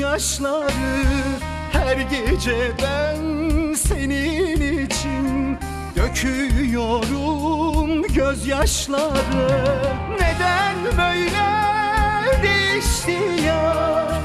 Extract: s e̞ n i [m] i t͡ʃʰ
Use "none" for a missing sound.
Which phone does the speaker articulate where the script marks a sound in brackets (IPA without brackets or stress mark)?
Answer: n